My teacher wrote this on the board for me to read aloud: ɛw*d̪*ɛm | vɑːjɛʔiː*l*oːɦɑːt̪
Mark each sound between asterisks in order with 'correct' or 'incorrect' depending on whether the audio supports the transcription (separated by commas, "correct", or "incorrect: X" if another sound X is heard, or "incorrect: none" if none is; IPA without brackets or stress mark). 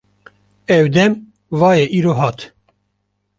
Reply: correct, incorrect: ɾ